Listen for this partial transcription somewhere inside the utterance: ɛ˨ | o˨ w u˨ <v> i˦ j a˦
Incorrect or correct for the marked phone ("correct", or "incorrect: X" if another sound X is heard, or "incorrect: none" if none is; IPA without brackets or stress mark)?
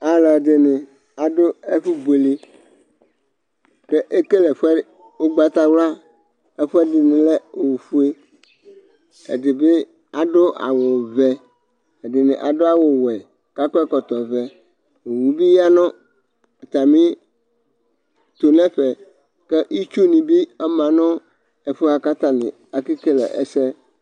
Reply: incorrect: b